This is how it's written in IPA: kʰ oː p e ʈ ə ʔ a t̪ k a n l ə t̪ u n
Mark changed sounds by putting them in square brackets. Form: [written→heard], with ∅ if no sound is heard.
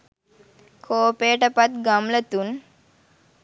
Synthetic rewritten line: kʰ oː p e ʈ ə [ʔ→p] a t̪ [k→ɡ] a [n→m] l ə t̪ u n